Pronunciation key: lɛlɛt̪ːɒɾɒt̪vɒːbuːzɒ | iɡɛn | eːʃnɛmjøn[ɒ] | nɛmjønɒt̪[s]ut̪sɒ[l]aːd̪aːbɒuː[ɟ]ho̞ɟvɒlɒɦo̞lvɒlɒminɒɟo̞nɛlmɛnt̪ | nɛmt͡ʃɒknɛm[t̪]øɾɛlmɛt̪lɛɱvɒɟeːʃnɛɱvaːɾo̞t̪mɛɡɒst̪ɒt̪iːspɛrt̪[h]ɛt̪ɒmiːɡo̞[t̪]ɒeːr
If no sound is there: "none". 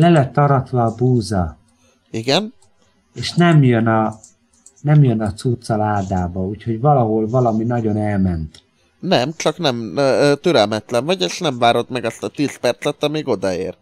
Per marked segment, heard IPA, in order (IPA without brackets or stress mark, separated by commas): ɒ, s, l, c, t̪, s, d̪